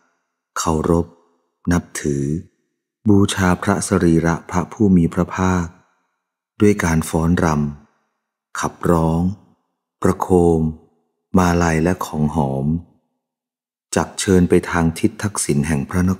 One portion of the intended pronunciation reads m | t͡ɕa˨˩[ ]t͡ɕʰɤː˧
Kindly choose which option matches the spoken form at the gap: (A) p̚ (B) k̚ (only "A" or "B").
B